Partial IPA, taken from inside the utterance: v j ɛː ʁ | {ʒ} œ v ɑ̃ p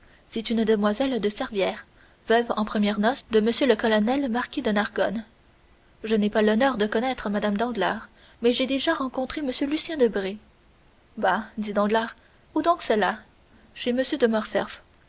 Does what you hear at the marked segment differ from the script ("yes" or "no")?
yes